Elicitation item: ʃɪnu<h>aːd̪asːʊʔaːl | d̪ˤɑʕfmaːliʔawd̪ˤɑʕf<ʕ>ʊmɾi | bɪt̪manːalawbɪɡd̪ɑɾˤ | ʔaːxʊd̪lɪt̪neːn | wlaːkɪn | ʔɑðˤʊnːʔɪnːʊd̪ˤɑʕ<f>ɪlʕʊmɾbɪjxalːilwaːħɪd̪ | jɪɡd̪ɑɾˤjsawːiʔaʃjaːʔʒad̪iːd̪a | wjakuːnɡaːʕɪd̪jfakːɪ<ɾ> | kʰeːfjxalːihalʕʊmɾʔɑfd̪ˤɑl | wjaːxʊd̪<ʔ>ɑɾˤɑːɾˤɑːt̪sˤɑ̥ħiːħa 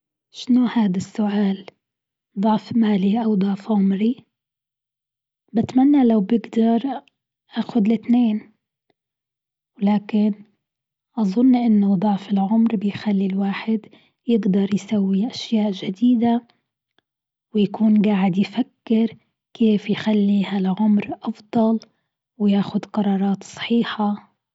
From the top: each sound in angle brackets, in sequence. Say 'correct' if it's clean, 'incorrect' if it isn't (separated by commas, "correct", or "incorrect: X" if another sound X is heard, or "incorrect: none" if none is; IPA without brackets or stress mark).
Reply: correct, correct, correct, correct, incorrect: q